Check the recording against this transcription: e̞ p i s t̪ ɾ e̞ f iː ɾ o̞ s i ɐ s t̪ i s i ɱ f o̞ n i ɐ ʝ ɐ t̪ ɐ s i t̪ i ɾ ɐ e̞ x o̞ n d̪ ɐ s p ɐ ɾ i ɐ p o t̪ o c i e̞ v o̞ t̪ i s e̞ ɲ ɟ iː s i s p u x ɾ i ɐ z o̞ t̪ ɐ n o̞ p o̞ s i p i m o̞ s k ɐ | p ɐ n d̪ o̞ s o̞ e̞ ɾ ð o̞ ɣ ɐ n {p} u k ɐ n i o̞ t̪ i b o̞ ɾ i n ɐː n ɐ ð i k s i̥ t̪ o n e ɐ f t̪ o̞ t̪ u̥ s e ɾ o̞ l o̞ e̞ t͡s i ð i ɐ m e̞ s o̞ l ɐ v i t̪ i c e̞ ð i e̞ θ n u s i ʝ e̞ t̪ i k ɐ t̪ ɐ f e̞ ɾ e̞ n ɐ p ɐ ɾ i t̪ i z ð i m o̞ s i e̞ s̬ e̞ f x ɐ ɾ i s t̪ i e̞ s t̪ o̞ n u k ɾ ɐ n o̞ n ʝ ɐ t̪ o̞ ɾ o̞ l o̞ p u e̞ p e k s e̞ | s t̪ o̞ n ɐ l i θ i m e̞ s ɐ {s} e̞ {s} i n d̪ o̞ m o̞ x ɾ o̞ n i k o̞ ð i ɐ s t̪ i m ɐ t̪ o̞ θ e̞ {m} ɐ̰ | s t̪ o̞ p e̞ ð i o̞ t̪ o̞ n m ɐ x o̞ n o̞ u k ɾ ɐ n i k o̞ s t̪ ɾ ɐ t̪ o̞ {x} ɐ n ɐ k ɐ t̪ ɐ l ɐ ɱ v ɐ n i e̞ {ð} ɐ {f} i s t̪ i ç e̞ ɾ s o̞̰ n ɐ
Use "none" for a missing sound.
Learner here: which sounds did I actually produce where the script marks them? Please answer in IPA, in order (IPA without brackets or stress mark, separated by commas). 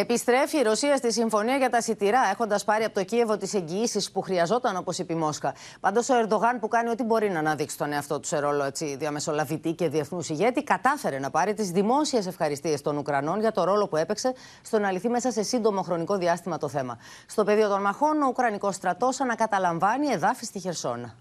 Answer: p, s, s, m, s, ð, f